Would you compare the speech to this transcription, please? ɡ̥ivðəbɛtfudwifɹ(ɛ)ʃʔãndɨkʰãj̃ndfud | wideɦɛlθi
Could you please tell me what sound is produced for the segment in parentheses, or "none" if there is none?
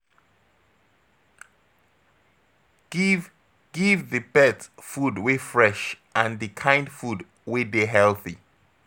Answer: ɛ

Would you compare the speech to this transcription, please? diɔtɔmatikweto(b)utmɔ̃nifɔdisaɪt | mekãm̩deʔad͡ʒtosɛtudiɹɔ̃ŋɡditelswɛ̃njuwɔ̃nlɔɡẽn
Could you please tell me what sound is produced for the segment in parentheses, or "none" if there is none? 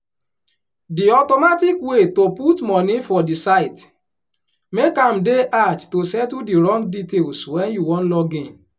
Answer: p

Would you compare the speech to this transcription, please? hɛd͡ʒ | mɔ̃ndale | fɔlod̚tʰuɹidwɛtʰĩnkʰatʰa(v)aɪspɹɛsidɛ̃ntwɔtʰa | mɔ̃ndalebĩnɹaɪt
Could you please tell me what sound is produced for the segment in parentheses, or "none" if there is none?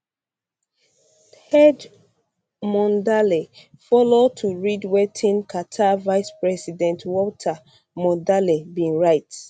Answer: v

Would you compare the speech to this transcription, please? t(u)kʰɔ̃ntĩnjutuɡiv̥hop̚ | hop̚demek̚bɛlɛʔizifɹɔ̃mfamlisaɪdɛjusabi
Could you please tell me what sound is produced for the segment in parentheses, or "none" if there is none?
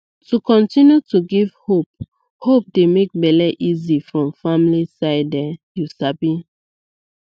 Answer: u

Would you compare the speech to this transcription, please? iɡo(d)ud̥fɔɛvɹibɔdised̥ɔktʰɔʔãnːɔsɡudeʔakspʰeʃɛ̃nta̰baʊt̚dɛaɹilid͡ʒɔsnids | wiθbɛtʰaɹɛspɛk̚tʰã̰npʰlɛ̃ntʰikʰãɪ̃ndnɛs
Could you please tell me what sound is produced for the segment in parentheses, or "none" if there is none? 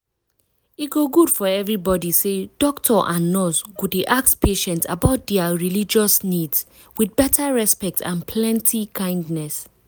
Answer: ɡ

